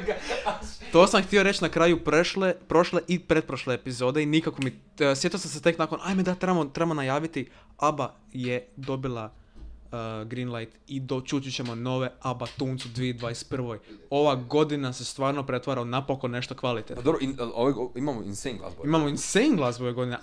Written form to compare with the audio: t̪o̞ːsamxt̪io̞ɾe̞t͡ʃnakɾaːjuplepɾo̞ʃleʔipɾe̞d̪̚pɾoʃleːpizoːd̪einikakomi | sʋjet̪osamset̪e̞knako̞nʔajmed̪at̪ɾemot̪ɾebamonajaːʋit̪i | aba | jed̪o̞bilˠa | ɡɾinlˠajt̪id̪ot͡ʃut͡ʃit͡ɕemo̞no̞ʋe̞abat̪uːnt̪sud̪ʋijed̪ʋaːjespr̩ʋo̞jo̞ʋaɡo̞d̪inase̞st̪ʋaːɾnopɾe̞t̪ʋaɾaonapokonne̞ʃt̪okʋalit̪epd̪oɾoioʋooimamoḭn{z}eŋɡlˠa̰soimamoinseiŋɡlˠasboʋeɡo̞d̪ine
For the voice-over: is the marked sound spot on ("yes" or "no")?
no